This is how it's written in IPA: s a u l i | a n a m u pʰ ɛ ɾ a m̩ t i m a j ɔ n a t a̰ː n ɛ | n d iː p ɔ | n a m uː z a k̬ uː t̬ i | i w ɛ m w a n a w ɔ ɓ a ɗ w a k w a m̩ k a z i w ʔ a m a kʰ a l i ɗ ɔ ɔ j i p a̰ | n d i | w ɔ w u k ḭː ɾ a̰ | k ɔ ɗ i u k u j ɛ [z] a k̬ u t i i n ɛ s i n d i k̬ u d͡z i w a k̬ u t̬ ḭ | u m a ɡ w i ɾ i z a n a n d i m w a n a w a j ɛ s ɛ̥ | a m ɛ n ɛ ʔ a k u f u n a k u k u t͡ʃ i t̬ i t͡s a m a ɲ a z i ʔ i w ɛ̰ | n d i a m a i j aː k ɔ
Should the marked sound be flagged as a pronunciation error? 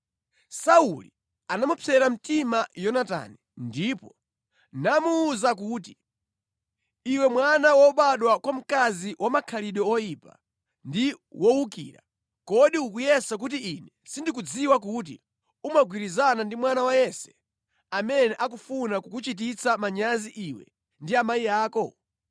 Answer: yes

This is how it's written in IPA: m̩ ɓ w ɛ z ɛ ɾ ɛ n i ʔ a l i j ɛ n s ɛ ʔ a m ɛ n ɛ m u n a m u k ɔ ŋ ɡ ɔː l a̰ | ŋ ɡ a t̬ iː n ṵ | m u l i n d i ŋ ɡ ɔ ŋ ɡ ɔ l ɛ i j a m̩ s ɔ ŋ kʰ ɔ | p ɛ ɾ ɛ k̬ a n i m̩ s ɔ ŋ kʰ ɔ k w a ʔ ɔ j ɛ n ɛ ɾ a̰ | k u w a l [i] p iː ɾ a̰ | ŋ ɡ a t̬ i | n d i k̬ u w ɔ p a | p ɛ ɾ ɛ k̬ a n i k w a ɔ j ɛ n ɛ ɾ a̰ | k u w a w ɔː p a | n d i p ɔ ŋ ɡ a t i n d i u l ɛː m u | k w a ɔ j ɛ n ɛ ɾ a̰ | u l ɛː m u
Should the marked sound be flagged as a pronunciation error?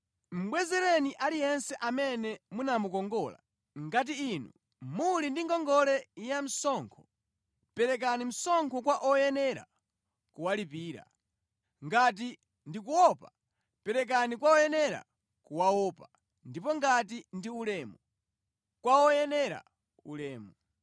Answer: no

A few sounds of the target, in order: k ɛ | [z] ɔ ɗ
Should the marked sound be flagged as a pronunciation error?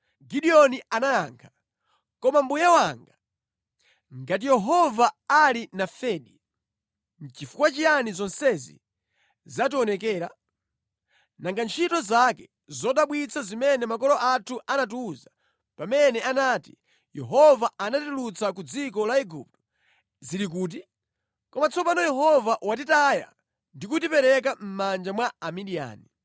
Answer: no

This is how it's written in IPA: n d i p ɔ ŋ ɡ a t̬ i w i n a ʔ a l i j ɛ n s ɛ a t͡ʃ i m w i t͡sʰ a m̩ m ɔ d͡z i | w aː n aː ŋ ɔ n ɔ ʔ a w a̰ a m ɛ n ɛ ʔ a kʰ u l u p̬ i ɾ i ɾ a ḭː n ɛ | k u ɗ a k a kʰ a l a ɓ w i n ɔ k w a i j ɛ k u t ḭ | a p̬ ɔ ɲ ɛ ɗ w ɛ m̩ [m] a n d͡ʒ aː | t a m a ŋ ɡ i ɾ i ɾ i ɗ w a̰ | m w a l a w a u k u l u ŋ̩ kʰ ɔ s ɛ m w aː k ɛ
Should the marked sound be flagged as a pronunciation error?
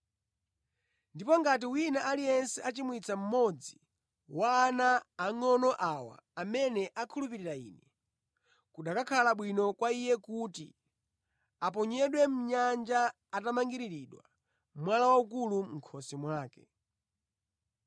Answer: yes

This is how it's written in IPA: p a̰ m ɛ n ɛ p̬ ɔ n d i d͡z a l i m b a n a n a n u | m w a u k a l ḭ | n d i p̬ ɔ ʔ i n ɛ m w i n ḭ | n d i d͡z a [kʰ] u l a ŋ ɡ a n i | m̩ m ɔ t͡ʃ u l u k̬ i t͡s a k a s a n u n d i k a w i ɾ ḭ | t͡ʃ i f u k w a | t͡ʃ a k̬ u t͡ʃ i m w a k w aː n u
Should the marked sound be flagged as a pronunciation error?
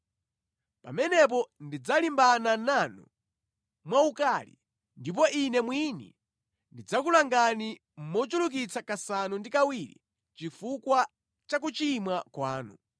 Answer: yes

